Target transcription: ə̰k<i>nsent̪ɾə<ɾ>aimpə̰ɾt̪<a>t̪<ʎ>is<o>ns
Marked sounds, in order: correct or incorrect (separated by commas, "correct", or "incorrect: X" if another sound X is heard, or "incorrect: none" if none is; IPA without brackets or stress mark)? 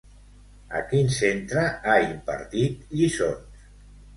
correct, incorrect: none, incorrect: i, correct, correct